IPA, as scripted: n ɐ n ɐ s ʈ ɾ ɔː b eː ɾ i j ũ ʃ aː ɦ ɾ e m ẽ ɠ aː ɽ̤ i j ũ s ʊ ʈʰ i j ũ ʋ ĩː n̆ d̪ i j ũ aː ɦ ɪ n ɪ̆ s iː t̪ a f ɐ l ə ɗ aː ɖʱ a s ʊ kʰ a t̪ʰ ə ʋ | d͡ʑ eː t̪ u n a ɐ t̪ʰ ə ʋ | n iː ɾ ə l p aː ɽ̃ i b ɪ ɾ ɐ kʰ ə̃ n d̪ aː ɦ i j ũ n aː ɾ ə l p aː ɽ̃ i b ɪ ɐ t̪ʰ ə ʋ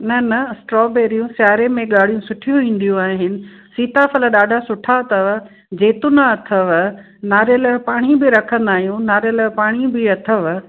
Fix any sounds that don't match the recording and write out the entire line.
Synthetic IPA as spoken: n ɐ n ɐ s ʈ ɾ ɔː b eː ɾ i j ũ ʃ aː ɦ ɾ e m ẽ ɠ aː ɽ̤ i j ũ s ʊ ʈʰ i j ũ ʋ ĩː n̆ d̪ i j ũ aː ɦ ɪ n ɪ̆ s iː t̪ a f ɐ l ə ɗ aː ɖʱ a s ʊ ʈʰ a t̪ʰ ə ʋ | d͡ʑ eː t̪ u n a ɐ t̪ʰ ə ʋ | n aː ɾ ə l p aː ɽ̃ i b ɪ ɾ ɐ kʰ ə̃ n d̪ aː ɦ i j ũ n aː ɾ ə l p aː ɽ̃ i b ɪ ɐ t̪ʰ ə ʋ